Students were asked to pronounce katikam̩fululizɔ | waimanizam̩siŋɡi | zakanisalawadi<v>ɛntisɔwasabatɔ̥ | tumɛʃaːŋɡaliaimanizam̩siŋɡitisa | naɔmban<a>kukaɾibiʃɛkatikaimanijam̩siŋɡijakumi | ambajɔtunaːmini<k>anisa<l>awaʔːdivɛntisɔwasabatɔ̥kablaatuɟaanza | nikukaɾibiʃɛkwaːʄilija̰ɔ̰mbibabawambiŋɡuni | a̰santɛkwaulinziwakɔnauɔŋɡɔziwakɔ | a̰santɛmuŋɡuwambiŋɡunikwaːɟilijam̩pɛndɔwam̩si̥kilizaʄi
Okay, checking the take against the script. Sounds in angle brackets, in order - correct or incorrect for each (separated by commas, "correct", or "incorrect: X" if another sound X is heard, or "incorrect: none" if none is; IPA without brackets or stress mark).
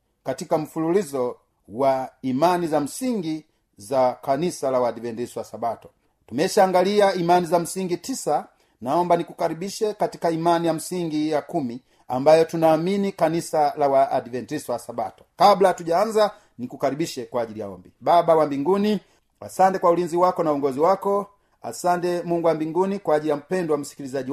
correct, incorrect: i, correct, correct